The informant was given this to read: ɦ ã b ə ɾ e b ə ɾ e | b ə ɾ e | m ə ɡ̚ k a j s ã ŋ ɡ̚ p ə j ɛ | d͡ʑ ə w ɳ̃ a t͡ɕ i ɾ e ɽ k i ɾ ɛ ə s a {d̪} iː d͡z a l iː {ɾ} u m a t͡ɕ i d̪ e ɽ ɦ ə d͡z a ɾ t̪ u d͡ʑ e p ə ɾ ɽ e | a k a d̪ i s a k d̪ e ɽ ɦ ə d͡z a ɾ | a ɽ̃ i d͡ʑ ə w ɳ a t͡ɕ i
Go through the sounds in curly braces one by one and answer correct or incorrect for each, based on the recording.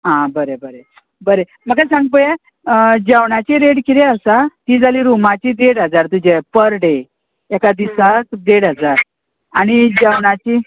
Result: incorrect: t̪, correct

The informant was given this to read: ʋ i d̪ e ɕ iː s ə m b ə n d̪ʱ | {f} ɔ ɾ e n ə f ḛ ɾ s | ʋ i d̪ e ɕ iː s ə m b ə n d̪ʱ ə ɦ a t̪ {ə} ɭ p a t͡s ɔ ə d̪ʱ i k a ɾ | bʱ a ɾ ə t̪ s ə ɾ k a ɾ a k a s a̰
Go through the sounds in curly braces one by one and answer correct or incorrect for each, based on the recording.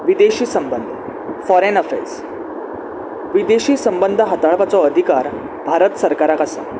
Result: correct, incorrect: a

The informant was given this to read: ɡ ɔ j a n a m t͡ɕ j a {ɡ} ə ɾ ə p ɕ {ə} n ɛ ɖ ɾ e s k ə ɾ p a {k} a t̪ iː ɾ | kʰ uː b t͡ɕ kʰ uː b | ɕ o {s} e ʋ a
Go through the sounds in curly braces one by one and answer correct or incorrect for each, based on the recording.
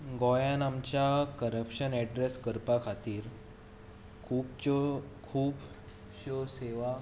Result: incorrect: k, correct, incorrect: kʰ, correct

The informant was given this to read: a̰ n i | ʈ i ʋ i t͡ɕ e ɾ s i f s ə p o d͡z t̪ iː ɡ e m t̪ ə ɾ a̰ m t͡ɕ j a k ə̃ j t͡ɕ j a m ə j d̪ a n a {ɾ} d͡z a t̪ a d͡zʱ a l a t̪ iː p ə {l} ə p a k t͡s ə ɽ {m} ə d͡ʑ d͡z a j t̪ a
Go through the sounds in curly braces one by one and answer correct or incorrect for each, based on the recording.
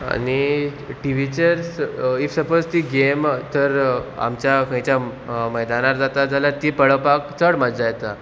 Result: correct, incorrect: ɭ, correct

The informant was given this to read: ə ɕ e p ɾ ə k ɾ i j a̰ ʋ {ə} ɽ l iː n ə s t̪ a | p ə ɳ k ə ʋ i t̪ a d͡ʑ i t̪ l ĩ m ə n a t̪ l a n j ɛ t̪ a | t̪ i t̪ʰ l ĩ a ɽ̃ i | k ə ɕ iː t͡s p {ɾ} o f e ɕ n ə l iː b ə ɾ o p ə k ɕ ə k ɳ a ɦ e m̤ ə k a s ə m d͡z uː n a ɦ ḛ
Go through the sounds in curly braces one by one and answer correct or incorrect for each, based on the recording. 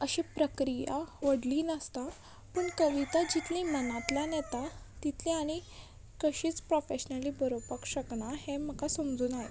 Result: correct, correct

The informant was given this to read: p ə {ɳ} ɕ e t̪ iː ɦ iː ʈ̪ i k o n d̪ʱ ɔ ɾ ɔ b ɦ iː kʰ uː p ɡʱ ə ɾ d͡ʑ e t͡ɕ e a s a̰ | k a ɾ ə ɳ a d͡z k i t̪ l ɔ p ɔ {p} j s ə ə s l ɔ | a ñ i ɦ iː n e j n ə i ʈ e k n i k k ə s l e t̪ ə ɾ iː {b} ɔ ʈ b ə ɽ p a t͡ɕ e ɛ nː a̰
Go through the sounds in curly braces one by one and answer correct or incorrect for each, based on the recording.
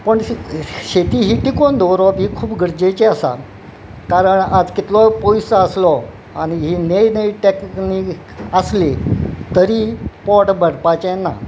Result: correct, incorrect: none, incorrect: p

